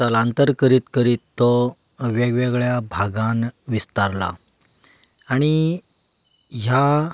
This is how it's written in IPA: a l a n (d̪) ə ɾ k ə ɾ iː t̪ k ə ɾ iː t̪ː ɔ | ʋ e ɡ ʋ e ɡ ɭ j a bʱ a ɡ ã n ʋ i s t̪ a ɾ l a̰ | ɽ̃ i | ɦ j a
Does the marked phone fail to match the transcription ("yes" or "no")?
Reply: yes